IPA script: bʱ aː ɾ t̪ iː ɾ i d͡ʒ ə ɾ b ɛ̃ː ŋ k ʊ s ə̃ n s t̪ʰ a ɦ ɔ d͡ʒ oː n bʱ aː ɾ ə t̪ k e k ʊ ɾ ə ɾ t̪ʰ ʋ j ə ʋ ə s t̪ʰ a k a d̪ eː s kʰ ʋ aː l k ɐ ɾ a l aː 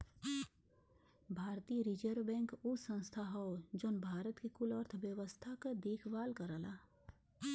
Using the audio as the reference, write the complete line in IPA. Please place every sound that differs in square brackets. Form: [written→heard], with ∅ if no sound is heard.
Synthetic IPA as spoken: bʱ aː ɾ t̪ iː ɾ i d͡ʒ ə ɾ b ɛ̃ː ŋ k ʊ s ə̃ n s t̪ʰ a ɦ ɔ d͡ʒ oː n bʱ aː ɾ ə t̪ k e k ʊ [ɾ→l] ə ɾ t̪ʰ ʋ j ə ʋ ə s t̪ʰ a k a d̪ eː [s→∅] kʰ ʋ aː l k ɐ ɾ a l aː